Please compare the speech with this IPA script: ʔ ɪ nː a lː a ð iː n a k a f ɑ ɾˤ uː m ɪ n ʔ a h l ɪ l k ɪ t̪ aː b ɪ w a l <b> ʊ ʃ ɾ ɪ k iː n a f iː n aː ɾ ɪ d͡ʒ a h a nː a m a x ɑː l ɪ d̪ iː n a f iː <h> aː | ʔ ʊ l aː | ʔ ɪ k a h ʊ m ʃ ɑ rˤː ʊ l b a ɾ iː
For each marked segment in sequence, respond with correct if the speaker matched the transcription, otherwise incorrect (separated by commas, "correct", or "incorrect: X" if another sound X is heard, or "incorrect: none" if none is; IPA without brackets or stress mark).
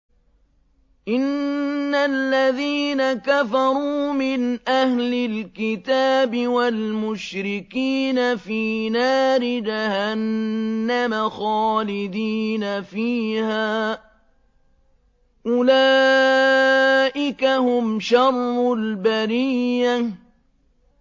incorrect: m, correct